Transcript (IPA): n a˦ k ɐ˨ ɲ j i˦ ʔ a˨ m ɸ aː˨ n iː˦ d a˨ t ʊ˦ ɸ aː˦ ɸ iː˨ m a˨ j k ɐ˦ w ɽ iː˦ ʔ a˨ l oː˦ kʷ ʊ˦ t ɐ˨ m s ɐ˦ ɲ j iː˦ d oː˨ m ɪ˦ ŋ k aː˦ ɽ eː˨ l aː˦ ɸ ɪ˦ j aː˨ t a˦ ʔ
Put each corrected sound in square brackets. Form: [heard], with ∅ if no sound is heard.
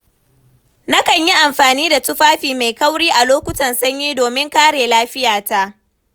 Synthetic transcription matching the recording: n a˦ k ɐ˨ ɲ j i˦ ʔ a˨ m ɸ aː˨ n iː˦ d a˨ t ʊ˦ ɸ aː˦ ɸ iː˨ m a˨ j k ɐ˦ w ɽ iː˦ ʔ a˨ l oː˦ kʷ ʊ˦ t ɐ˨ [n] s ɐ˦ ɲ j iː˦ d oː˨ m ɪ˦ ŋ k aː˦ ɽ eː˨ l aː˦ ɸ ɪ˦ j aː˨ t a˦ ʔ